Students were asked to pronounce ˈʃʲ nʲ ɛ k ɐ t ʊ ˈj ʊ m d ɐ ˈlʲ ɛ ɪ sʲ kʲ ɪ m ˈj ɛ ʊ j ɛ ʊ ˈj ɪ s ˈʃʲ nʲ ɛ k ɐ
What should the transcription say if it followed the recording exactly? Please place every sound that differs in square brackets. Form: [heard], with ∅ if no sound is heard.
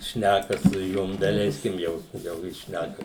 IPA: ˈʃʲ nʲ [æ] k ɐ [s] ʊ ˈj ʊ m d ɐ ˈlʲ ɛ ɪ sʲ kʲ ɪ m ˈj ɛ ʊ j ɛ ʊ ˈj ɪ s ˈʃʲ nʲ [æ] k ɐ

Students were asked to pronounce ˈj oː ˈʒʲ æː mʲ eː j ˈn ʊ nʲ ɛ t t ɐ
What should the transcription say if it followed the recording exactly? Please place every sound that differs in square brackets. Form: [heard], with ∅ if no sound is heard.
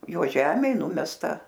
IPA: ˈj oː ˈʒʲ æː mʲ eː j ˈn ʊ [mʲ] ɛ [s] t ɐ

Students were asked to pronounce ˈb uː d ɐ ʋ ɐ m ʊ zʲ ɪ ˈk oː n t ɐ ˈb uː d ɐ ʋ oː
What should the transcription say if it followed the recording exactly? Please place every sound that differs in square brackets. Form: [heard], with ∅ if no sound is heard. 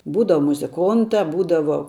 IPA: ˈb uː d ɐ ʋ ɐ m ʊ zʲ ɪ ˈk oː n t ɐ ˈb uː d ɐ ʋ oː

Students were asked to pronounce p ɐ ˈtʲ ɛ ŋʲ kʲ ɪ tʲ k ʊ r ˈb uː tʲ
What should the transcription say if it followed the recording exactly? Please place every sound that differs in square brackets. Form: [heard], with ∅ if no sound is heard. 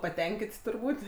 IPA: p ɐ ˈtʲ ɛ ŋʲ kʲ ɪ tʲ [t] ʊ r ˈb uː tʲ

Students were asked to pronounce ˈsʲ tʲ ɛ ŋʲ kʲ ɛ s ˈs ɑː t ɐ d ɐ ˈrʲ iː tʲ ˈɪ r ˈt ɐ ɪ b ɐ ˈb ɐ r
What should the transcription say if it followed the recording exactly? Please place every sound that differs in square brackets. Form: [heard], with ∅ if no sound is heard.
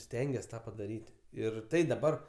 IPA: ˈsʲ tʲ ɛ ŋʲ [ɡʲ] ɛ s [ˈt] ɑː [p] ɐ d ɐ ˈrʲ iː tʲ ˈɪ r ˈt ɐ ɪ [d] ɐ ˈb ɐ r

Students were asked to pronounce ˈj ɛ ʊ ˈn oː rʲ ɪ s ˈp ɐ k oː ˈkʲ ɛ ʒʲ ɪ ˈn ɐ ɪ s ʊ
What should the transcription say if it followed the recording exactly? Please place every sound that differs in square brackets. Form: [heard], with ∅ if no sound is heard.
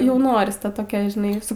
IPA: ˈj ɛ ʊ ˈn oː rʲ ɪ s [ˈt] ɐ [t] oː ˈkʲ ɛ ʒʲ ɪ ˈn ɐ ɪ s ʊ

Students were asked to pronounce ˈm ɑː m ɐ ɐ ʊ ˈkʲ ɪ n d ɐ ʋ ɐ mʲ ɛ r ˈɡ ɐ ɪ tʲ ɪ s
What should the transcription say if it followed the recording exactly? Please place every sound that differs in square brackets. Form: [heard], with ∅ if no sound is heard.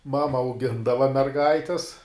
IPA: ˈm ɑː m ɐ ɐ ʊ [ˈɡʲ] ɪ n d ɐ ʋ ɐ mʲ ɛ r ˈɡ ɐ ɪ tʲ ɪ s

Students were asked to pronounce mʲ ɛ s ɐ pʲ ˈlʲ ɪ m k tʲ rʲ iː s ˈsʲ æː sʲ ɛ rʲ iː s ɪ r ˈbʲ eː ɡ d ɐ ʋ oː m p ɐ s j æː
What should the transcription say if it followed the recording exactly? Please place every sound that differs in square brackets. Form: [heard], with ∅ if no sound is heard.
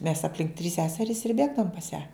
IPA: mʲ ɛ s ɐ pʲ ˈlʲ ɪ [ŋ] k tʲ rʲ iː s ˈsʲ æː sʲ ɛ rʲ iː s ɪ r ˈbʲ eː ɡ d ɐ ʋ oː m p ɐ s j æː

